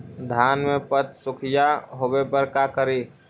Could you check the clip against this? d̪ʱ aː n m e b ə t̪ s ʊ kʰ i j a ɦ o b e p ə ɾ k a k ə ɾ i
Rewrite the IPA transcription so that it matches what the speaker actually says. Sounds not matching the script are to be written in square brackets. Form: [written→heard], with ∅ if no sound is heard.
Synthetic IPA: d̪ʱ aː n m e [b→p] ə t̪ s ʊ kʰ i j a ɦ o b e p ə ɾ k a k ə ɾ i